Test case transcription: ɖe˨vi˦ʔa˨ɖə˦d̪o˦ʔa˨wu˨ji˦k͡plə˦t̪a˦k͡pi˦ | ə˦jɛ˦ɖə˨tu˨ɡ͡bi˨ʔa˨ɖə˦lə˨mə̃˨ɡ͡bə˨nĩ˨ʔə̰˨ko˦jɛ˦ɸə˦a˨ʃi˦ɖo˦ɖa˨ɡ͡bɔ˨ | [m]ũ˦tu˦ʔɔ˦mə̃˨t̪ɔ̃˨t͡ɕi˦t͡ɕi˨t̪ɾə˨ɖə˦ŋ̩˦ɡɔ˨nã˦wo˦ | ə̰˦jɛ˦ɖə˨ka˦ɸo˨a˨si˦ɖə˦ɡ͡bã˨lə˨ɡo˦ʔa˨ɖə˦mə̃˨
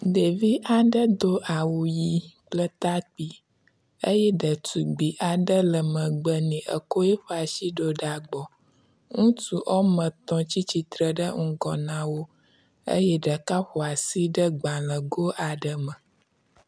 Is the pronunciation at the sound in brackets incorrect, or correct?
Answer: incorrect: ŋ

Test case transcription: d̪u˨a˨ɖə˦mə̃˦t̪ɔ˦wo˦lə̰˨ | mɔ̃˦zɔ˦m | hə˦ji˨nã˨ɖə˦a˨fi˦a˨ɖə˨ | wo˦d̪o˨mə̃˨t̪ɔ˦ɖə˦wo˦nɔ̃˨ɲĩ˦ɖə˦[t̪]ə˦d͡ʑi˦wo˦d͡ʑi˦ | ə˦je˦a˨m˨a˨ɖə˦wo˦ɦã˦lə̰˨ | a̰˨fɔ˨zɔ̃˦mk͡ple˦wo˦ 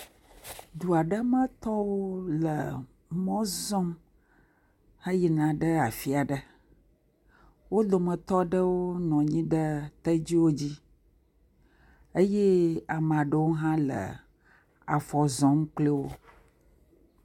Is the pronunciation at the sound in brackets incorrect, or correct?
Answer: correct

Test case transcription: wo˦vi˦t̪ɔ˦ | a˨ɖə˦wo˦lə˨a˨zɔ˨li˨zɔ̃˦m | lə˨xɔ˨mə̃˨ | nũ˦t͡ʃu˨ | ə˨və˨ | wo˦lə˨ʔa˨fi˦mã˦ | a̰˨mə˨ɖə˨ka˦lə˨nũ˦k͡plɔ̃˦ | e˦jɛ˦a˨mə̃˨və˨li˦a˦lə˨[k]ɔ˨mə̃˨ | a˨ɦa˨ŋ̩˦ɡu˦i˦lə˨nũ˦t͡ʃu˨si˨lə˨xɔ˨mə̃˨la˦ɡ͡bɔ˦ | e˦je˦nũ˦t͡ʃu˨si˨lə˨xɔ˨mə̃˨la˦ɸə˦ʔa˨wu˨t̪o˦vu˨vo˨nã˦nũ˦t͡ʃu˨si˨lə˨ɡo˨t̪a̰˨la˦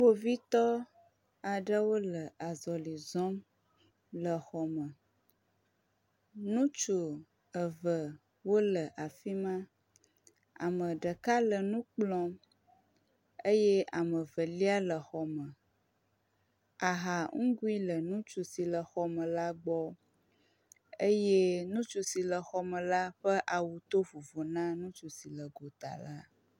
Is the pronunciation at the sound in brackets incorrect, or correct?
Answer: incorrect: x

